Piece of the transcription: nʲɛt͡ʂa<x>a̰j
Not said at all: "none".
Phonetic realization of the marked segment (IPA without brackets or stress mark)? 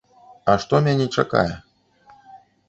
k